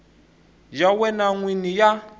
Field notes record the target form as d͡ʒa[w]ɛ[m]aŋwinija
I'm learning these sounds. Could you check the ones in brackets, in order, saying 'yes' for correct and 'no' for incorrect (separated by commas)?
yes, no